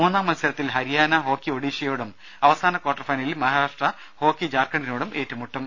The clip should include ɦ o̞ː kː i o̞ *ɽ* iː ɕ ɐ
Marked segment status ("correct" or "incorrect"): correct